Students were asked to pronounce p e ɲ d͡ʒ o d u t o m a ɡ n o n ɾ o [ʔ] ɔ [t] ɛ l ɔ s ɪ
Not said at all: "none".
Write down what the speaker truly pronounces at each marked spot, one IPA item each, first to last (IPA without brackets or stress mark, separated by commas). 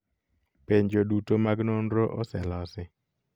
ʔ, s